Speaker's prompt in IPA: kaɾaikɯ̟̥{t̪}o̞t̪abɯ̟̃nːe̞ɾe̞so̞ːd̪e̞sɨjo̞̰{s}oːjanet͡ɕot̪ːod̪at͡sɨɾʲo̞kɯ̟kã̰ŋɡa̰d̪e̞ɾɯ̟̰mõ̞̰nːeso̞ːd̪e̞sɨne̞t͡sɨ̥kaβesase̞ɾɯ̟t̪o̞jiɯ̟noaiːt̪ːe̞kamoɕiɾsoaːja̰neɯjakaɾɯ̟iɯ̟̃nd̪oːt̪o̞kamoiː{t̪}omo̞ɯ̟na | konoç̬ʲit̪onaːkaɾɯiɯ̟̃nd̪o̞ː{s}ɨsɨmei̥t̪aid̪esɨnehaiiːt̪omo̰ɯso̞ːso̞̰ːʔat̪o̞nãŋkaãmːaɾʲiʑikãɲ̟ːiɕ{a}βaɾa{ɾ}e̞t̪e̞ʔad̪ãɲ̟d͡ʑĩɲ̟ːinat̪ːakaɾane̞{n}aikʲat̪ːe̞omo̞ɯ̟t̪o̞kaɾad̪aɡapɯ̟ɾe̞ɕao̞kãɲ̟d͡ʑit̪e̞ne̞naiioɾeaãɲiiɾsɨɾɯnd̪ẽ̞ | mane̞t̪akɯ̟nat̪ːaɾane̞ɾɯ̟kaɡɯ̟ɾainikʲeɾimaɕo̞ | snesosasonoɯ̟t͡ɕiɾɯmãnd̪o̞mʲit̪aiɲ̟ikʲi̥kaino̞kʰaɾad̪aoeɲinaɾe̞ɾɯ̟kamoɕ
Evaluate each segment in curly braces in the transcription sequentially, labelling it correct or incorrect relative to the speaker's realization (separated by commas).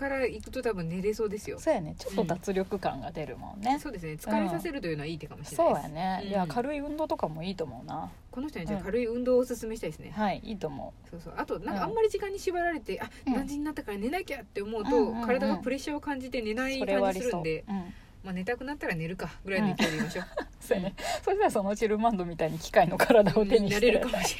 correct, correct, correct, correct, incorrect, correct, correct